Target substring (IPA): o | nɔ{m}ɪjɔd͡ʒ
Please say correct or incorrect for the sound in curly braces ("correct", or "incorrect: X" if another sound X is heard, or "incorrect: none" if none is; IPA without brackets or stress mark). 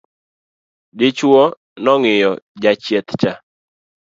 incorrect: ŋ